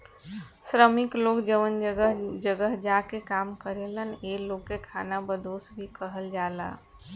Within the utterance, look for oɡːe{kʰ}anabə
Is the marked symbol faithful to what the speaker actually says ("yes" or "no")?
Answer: yes